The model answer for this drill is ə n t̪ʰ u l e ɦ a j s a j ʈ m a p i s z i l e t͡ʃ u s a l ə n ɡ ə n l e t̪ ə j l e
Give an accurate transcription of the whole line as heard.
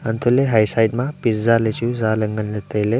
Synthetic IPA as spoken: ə n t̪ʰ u l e ɦ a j s a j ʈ m a p i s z a l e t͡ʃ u z a l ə ŋ ɡ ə n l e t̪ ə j l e